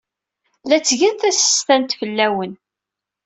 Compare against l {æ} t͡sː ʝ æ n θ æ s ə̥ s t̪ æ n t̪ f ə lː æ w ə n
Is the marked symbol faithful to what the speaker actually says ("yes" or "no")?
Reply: yes